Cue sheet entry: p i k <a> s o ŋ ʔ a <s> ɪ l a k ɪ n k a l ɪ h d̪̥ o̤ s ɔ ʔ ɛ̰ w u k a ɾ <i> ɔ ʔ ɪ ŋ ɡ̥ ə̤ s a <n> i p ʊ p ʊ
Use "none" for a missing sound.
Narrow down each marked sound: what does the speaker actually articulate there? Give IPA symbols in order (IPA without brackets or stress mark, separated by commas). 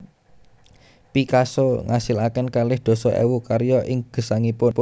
a, s, j, ŋ